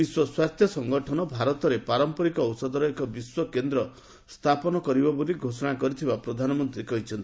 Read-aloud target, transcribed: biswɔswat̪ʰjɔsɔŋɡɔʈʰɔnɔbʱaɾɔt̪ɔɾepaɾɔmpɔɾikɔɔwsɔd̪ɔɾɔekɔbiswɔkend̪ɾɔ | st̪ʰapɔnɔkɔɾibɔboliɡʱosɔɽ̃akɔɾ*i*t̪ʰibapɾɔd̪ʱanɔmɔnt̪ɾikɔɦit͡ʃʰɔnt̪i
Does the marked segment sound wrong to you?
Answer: no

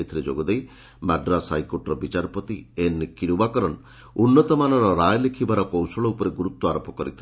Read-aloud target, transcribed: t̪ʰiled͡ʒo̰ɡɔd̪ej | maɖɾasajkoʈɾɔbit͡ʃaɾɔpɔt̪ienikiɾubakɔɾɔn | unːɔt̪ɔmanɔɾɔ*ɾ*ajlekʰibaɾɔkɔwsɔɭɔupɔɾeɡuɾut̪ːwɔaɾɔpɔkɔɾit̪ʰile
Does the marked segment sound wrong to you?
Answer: no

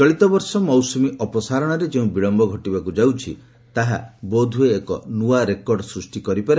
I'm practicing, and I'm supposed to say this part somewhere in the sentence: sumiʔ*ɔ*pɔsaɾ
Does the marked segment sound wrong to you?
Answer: no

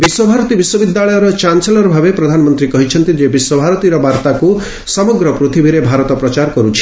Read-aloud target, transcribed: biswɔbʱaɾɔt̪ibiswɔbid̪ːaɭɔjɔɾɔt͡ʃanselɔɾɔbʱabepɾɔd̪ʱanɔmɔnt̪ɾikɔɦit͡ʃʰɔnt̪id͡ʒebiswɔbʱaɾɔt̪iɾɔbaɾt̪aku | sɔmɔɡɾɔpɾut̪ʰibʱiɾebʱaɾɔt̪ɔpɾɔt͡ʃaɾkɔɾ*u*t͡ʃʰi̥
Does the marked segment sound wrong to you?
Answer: no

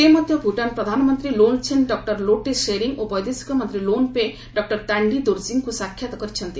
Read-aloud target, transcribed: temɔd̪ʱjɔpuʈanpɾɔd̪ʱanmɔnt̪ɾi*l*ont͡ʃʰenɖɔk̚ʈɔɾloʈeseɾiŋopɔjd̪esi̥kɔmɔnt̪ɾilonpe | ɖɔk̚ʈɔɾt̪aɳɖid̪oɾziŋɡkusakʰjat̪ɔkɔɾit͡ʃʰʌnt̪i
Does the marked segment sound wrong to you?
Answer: no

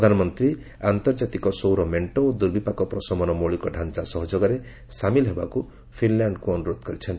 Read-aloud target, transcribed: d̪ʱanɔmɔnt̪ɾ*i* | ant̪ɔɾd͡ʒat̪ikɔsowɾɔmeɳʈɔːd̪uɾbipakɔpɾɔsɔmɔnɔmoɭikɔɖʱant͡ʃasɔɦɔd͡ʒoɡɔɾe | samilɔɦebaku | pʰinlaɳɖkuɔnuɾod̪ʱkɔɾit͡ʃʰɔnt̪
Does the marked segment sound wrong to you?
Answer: no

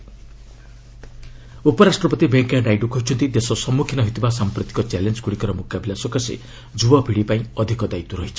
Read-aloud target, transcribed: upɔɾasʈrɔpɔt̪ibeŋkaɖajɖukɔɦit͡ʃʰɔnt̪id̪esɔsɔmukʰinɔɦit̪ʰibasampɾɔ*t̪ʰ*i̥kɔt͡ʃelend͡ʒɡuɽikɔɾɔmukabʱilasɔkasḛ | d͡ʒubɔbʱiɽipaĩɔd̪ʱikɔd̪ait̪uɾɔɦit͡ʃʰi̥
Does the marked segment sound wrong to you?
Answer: yes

